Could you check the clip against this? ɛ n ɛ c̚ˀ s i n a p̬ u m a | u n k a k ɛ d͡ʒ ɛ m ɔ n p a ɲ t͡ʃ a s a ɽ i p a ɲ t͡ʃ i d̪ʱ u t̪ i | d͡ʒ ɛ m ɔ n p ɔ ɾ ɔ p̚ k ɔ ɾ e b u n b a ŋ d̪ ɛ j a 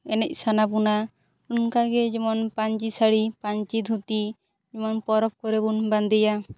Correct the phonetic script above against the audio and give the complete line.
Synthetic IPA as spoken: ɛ n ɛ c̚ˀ s a n a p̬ u n a | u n k a ɡ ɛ d͡ʒ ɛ m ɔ n p a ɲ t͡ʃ i s a ɽ i p a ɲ t͡ʃ i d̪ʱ u t̪ i | d͡ʒ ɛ m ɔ n p ɔ ɾ ɔ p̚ k ɔ ɾ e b u n b a n d̪ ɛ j a